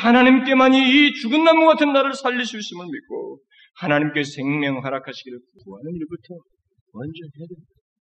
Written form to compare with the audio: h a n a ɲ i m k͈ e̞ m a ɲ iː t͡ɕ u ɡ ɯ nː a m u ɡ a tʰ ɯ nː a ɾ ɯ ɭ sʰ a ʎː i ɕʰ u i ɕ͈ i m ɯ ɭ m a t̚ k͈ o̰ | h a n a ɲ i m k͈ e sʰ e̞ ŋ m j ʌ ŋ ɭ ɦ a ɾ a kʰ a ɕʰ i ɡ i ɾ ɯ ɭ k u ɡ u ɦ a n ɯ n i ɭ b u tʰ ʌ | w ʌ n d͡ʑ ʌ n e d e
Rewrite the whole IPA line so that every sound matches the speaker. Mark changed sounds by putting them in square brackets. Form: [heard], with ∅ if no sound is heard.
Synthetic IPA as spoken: h a n a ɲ i m k͈ e̞ m a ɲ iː t͡ɕ u ɡ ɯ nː a m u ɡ a tʰ ɯ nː a ɾ ɯ ɭ sʰ a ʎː i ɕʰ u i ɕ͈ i m ɯ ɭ m [i] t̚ k͈ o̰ | h a n a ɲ i m k͈ e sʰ e̞ ŋ m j ʌ ŋ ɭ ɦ a ɾ a kʰ a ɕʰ i ɡ i ɾ ɯ ɭ k u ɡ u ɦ a n ɯ n i ɭ b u tʰ ʌ | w ʌ n d͡ʑ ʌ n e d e